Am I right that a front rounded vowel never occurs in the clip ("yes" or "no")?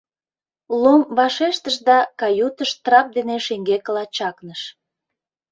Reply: yes